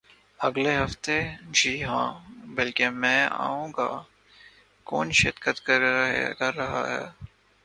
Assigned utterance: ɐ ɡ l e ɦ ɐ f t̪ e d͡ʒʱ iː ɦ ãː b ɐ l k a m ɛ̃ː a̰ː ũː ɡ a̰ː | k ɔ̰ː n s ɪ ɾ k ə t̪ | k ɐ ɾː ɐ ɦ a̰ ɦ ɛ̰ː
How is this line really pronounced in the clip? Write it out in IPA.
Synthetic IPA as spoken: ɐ ɡ l e ɦ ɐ f t̪ e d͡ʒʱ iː ɦ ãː b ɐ l k e m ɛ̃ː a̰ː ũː ɡ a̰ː | k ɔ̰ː n ʃ ɪ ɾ k ə t̪ | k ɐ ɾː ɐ ɦ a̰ ɦ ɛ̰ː